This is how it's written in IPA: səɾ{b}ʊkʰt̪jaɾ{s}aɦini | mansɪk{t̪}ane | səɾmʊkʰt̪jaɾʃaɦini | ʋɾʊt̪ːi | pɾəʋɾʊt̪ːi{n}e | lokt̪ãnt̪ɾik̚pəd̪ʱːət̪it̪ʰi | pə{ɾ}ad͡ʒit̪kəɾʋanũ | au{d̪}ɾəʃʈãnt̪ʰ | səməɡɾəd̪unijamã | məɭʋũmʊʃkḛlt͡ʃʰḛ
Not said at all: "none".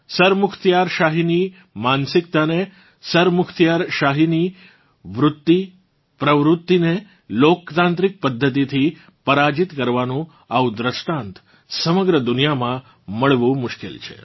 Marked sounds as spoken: m, ʃ, t̪, n, ɾ, d̪

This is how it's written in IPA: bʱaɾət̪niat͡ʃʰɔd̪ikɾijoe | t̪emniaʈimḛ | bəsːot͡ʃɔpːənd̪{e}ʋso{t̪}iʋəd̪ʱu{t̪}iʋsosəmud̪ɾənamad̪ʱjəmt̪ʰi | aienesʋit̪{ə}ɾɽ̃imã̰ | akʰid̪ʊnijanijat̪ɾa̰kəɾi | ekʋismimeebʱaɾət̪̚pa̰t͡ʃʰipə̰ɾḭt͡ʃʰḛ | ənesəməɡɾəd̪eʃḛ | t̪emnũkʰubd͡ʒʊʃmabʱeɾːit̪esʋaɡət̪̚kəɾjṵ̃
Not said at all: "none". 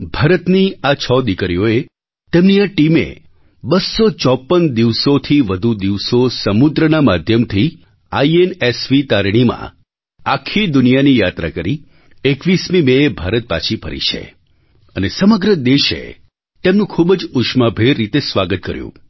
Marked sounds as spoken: i, t̪ʰ, d̪, a

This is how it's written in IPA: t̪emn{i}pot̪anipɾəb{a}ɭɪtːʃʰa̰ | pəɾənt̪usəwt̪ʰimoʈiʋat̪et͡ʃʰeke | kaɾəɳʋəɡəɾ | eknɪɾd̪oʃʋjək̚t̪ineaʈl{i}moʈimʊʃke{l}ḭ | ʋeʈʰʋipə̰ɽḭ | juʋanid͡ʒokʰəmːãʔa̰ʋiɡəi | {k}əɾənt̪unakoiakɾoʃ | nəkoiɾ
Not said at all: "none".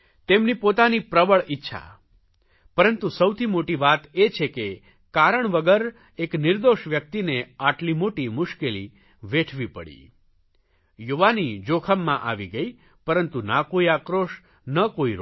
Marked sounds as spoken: i, ə, i, l, p

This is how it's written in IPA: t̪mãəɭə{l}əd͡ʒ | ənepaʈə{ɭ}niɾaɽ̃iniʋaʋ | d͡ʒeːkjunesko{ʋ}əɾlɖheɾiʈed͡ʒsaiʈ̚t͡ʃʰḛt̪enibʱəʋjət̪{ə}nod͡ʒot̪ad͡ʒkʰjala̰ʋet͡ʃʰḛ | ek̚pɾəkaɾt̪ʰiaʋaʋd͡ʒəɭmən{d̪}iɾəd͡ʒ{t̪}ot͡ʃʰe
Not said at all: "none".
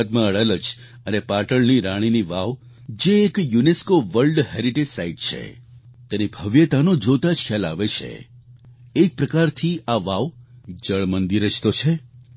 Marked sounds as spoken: l, ɭ, ʋ, a, d̪, t̪

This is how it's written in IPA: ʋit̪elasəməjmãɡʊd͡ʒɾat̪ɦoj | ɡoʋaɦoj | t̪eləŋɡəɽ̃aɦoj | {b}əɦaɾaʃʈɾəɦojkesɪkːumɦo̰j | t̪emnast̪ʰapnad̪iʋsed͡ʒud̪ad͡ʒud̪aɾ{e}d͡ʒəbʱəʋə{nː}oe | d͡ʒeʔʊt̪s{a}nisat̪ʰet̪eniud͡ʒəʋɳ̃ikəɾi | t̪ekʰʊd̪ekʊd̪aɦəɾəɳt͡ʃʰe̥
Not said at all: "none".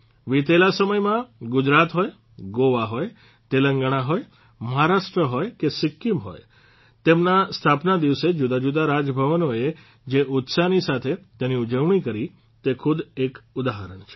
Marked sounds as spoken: m, a, n, a

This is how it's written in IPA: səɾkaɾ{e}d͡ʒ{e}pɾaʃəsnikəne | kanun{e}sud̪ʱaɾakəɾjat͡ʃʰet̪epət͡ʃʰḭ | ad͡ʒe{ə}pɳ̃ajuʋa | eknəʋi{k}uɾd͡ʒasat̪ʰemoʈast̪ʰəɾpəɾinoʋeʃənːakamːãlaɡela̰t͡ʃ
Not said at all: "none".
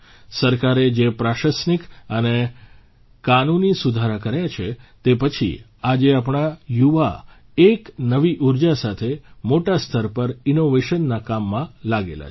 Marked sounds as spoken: e, e, i, a, ʔ

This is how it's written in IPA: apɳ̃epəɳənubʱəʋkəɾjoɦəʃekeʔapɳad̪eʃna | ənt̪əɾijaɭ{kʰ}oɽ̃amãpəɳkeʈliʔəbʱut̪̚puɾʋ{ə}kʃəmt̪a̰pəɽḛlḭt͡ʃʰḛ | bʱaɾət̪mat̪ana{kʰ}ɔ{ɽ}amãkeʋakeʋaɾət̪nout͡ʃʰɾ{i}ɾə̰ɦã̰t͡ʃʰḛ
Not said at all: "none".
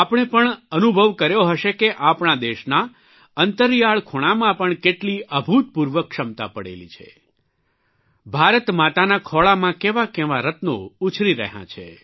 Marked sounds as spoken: kʰ, ə, kʰ, ɭ, i

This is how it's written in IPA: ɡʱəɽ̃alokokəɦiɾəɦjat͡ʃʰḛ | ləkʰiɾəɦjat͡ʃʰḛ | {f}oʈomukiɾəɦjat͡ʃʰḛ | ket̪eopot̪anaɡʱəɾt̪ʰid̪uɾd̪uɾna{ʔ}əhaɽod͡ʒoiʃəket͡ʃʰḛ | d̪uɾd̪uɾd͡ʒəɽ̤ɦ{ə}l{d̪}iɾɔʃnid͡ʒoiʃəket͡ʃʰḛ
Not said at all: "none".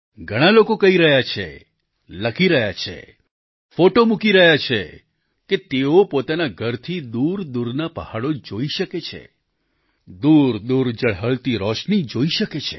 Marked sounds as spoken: f, p, ə, t̪

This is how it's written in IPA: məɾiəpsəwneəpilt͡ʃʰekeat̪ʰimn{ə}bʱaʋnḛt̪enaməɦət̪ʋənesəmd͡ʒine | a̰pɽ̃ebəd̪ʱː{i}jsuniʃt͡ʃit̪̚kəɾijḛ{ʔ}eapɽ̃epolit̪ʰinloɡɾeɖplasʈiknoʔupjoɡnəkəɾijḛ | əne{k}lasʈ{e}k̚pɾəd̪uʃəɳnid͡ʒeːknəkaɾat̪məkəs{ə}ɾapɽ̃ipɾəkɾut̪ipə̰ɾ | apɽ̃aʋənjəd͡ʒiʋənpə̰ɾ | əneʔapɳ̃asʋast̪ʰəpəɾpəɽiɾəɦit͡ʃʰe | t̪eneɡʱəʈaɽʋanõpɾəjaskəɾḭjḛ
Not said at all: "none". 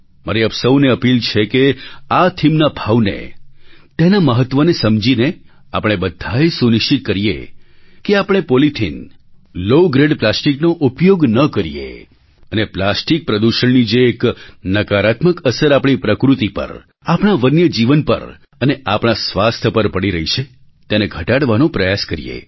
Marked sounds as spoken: a, a, k, p, i, ə

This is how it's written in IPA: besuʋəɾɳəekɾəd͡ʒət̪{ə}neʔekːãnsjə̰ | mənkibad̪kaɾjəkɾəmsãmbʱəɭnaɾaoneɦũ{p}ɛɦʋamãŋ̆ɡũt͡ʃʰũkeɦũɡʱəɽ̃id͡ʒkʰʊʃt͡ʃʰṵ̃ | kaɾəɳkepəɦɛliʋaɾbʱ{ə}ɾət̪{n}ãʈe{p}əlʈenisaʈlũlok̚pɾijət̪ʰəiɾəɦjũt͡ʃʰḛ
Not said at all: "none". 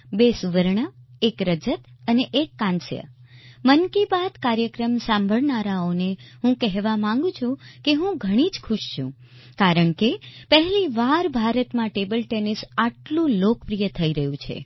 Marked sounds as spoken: ə, k, a, m, b

